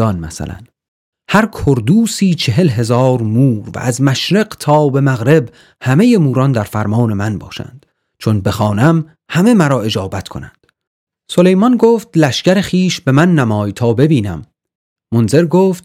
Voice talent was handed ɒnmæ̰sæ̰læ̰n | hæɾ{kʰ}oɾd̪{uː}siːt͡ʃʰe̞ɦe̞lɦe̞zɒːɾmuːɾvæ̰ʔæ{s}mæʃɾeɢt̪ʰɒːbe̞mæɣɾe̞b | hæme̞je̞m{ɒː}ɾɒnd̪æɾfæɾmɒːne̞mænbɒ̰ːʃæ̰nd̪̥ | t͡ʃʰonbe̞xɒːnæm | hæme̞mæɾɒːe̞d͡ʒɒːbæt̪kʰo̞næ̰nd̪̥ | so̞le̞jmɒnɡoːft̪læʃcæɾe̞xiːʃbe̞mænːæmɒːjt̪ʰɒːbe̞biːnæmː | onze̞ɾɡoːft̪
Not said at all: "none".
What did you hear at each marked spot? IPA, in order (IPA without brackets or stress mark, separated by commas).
kʰ, uː, z, uː